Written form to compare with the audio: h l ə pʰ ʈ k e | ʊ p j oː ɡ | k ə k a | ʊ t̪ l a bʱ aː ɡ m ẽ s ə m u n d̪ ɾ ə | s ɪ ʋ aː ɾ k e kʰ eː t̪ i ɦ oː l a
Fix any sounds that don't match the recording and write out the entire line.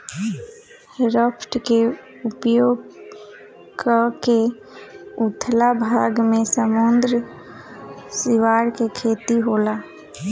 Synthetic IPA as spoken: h ɾ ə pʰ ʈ k e | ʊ p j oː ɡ | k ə k e | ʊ t̪ʰ l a bʱ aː ɡ m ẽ s ə m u n d̪ ɾ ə | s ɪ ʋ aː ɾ k e kʰ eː t̪ i ɦ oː l a